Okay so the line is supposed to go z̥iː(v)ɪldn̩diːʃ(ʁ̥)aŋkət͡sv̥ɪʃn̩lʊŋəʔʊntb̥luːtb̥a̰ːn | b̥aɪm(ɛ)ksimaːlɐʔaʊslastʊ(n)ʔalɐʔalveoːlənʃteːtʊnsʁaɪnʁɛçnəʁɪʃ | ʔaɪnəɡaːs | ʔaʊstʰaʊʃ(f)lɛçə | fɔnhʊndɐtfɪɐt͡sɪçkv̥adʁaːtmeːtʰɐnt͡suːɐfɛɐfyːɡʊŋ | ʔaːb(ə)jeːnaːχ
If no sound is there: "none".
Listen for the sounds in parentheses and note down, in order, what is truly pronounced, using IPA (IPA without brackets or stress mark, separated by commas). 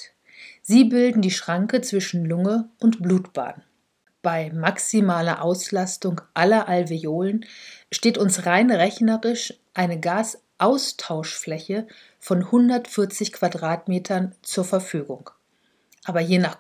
b, ʁ̥, a, ŋ, f, ɐ